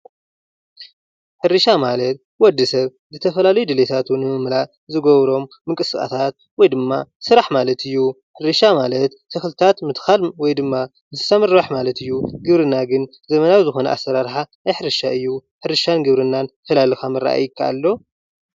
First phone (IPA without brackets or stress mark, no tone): ħ